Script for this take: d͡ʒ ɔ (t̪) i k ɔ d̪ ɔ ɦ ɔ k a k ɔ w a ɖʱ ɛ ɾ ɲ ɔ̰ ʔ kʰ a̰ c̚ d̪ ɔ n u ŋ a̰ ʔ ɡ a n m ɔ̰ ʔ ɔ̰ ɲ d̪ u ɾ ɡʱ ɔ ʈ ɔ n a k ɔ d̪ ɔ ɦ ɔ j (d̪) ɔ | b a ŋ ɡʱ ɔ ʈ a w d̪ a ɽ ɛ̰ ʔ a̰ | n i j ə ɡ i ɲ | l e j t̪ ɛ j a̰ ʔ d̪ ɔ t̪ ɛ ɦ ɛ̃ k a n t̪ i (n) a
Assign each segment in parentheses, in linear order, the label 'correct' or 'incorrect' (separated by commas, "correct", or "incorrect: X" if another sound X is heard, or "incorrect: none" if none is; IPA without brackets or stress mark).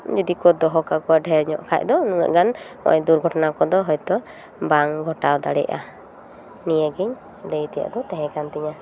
incorrect: d̪, incorrect: t̪, incorrect: ɲ